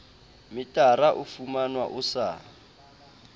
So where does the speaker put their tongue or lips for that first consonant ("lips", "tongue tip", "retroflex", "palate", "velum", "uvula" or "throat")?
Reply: lips